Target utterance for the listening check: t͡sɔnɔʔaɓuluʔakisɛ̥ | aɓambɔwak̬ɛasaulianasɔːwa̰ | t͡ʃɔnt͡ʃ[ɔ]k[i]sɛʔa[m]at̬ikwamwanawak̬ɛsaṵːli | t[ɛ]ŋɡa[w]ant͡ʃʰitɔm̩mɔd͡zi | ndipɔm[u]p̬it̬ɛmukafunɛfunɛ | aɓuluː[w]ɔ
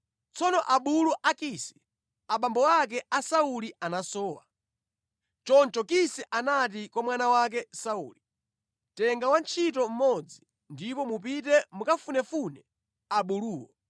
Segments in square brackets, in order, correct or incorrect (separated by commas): correct, correct, incorrect, correct, correct, correct, correct